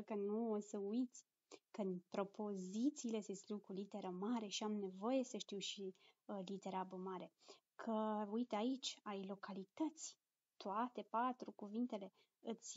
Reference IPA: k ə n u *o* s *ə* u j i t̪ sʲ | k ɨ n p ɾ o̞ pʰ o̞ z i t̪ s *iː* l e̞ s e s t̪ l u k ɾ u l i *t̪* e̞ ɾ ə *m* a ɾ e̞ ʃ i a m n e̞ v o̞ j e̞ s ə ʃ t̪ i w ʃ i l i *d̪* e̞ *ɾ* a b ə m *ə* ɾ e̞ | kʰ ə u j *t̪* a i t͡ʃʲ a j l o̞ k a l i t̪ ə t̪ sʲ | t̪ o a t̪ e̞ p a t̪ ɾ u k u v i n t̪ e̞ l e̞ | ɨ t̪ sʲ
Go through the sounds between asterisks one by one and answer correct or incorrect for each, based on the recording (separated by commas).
correct, correct, correct, correct, correct, incorrect, correct, incorrect, correct